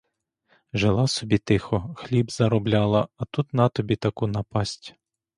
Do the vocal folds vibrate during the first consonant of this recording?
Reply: yes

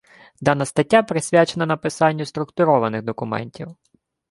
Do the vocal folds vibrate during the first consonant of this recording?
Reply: yes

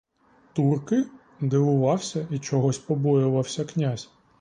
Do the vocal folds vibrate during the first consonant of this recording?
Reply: no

